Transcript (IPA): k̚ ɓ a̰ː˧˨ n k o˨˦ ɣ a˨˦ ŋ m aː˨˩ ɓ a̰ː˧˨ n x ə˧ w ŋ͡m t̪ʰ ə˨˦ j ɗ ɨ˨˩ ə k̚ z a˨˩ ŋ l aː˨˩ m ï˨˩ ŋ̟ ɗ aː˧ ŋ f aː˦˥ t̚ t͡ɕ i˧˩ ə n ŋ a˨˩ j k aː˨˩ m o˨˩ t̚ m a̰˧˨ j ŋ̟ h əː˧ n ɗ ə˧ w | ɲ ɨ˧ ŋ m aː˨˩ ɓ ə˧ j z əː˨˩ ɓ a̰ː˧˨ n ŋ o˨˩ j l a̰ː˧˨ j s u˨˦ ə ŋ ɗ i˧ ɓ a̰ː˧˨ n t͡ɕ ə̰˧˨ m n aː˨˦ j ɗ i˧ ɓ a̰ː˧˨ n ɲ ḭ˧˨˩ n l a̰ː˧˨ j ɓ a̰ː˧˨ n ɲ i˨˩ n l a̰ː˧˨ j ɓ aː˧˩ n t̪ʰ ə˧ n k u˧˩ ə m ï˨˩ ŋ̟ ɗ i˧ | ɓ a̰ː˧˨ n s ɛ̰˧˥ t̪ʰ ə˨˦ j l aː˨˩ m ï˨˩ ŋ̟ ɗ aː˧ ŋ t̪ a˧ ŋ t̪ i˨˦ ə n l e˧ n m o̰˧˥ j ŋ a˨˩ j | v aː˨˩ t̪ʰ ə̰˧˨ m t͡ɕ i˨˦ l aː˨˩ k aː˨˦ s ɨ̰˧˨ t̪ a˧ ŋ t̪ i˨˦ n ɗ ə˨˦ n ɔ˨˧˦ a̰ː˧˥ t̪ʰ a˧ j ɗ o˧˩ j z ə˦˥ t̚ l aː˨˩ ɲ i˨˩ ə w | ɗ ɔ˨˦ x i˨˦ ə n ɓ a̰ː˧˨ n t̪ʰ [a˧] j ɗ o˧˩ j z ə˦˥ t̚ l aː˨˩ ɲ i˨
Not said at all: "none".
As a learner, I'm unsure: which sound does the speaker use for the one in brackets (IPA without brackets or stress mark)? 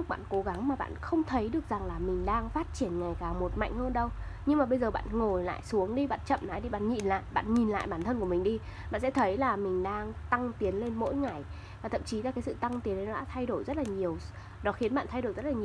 a˧